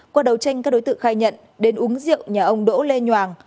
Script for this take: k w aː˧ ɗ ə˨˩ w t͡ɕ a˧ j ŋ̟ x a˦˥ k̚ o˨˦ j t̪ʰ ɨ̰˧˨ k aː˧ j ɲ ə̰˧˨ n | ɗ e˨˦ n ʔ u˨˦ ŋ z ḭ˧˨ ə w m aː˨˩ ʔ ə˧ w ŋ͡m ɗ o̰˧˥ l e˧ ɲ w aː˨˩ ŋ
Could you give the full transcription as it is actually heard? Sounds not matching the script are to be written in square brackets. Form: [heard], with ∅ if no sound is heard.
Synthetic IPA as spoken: k w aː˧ ɗ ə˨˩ w t͡ɕ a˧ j ŋ̟ [k] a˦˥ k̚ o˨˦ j [t̪] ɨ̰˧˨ [x] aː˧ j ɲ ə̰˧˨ n | ɗ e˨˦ n ʔ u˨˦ ŋ z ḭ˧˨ ə w [ɲ] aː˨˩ ʔ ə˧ w ŋ͡m ɗ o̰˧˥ l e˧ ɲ w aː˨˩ ŋ